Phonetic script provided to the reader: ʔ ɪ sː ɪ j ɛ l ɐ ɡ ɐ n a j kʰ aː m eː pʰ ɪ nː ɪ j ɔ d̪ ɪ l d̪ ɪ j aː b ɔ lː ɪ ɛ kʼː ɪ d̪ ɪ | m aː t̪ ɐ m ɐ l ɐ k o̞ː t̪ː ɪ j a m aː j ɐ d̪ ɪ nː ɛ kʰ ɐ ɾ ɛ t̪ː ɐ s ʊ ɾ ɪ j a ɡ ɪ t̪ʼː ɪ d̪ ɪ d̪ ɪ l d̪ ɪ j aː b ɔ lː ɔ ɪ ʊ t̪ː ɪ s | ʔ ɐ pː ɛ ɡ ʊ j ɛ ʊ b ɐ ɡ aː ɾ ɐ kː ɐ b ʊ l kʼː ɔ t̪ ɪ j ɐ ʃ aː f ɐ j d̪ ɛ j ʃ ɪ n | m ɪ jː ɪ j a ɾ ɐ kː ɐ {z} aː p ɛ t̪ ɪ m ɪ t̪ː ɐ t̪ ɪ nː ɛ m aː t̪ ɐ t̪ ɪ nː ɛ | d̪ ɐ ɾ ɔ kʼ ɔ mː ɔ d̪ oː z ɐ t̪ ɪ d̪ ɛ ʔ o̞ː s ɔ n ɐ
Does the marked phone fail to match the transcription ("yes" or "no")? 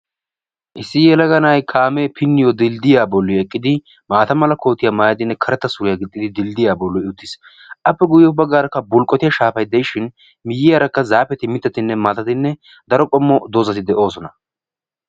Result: no